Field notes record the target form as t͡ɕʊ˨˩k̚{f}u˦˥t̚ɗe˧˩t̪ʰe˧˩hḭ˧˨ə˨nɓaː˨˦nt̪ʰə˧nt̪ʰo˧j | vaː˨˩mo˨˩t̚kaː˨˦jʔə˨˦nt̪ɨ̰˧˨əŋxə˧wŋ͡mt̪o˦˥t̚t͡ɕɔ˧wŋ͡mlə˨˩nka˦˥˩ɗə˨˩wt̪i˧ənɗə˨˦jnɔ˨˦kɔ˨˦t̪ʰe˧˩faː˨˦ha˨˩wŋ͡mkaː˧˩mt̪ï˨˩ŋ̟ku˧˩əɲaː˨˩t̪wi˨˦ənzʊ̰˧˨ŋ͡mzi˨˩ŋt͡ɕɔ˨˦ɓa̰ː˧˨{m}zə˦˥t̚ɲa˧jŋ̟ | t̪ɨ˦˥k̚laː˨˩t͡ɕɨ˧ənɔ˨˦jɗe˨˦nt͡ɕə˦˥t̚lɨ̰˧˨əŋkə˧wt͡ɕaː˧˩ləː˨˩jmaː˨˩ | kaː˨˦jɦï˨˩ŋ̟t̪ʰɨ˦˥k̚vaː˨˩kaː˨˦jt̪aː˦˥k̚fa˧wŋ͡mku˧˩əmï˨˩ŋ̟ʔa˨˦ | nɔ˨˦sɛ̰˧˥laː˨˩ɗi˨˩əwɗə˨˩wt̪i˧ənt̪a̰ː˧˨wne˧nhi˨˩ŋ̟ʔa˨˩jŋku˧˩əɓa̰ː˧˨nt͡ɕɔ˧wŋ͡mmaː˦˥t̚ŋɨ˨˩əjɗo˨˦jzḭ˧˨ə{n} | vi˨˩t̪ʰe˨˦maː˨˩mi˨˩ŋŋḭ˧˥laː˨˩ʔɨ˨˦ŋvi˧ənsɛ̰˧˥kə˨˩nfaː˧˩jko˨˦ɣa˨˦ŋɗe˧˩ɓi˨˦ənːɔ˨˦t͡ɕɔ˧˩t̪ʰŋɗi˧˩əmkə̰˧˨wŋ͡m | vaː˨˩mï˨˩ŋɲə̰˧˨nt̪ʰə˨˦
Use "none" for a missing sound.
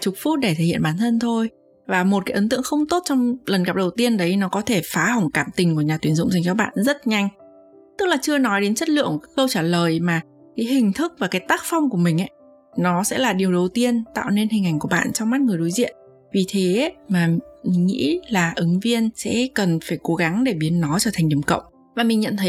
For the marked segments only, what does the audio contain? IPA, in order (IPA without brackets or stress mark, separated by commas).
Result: f, n, n